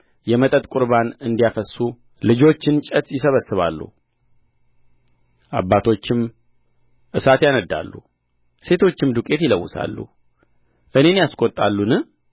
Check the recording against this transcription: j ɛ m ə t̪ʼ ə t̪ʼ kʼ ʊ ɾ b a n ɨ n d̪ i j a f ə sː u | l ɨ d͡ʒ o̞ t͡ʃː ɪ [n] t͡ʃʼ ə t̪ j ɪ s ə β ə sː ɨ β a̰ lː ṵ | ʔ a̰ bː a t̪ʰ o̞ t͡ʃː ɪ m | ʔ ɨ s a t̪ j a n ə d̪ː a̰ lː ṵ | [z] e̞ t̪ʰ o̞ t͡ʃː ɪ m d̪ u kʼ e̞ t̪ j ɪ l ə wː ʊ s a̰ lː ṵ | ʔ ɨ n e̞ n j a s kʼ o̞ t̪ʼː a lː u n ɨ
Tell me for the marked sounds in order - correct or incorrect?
correct, incorrect: s

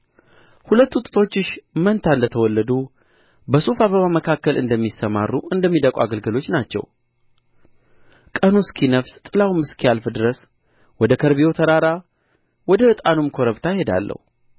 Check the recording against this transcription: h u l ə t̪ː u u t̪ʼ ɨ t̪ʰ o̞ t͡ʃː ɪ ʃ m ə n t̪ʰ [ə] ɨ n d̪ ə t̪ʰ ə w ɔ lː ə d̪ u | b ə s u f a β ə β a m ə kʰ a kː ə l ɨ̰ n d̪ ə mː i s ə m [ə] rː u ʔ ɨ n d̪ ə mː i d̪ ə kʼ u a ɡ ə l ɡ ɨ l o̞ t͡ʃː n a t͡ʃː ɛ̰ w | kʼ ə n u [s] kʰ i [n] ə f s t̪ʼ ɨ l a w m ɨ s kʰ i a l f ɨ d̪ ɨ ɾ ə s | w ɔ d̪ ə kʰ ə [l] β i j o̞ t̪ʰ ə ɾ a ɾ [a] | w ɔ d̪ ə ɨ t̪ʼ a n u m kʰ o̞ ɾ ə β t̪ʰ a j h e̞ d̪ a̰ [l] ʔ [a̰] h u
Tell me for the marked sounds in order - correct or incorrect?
incorrect: a, incorrect: a, correct, correct, incorrect: ɾ, correct, incorrect: lː, incorrect: ə̰

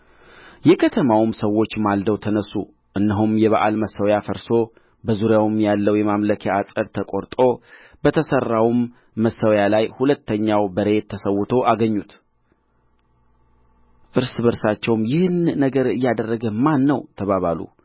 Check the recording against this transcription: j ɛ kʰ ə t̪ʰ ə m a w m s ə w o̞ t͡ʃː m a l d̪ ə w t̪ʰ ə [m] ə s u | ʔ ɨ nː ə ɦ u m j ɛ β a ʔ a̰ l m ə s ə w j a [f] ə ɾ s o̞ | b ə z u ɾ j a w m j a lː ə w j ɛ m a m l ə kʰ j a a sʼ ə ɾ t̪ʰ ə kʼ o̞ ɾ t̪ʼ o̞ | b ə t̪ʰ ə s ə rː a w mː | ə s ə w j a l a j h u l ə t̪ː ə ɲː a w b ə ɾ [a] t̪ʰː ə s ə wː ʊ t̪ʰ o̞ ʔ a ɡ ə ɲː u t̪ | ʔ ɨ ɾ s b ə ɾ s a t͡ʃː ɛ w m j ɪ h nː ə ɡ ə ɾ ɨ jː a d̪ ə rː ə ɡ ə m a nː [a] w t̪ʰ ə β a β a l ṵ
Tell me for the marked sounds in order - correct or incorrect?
incorrect: n, correct, incorrect: e, incorrect: ə

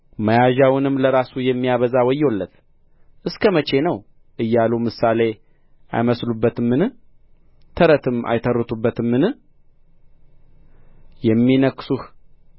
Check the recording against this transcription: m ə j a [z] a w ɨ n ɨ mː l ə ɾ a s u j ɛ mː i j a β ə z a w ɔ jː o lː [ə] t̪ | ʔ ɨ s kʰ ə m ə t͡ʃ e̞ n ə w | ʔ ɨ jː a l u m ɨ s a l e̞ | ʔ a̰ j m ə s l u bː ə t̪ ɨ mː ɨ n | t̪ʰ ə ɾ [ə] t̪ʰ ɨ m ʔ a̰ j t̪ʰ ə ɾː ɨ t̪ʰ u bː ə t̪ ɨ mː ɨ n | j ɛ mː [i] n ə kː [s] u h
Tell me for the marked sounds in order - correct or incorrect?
incorrect: ʒ, correct, correct, correct, correct

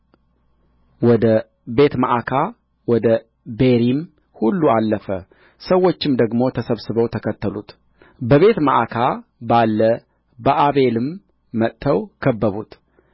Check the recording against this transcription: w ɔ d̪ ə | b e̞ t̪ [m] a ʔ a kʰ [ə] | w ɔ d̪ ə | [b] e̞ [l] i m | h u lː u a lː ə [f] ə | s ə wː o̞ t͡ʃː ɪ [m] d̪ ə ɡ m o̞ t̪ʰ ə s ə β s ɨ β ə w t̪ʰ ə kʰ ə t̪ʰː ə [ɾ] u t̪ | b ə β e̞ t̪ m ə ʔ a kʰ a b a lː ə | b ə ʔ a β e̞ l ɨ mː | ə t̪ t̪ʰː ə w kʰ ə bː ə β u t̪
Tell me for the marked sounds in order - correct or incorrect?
correct, incorrect: a, correct, incorrect: ɾ, correct, correct, incorrect: l

